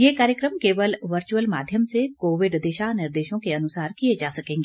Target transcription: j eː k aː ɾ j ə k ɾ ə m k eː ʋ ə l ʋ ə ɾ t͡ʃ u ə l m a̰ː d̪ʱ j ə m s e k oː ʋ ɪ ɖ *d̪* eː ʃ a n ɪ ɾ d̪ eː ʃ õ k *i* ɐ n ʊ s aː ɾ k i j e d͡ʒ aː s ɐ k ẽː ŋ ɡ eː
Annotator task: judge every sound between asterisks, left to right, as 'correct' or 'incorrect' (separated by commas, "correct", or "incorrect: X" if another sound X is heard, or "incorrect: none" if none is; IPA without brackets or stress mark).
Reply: correct, incorrect: e